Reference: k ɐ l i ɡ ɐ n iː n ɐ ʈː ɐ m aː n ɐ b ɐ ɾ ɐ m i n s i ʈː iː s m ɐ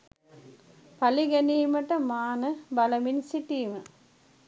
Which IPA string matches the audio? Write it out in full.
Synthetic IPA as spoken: p ɐ l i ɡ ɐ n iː m ɐ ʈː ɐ m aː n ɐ b ɐ l ɐ m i n s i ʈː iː m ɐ